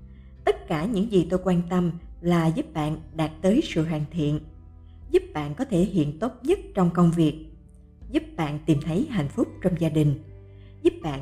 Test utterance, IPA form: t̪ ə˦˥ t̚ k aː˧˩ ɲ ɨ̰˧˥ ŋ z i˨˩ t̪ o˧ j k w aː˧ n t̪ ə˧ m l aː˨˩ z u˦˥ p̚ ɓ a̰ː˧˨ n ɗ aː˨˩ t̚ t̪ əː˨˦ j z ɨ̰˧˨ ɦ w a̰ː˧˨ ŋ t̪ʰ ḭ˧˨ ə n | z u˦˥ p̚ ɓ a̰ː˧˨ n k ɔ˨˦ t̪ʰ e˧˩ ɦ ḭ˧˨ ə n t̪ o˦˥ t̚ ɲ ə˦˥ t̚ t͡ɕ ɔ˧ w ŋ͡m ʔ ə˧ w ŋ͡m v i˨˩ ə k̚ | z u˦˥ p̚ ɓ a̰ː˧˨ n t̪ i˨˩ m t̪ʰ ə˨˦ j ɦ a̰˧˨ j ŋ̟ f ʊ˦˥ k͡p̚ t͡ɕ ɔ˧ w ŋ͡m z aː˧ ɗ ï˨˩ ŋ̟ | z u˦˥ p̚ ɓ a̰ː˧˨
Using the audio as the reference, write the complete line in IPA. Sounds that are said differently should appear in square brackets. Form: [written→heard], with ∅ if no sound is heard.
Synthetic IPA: t̪ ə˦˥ t̚ k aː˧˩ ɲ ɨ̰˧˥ ŋ z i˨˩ t̪ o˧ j k w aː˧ n t̪ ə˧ m l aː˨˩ z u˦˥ p̚ ɓ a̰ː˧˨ n ɗ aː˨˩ t̚ t̪ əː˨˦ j [z→s] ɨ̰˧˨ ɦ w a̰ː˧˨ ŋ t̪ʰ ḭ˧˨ ə n | z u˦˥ p̚ ɓ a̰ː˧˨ n k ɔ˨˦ t̪ʰ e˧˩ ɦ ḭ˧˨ ə n t̪ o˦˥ t̚ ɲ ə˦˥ t̚ t͡ɕ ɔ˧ w ŋ͡m [ʔ→k] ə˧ w ŋ͡m v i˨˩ ə k̚ | z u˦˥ p̚ ɓ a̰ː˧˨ n t̪ i˨˩ m t̪ʰ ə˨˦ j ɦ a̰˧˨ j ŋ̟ f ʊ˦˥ k͡p̚ t͡ɕ ɔ˧ w ŋ͡m z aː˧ ɗ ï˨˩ ŋ̟ | z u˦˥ p̚ ɓ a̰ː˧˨